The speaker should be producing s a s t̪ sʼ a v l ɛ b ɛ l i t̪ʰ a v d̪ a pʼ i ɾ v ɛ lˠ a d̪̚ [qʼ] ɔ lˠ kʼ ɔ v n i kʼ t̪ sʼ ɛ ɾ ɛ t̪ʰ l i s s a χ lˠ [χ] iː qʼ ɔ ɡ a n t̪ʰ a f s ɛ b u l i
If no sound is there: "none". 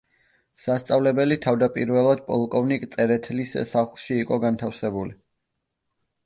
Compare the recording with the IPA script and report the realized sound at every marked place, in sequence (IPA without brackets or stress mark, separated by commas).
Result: pʼ, ʃ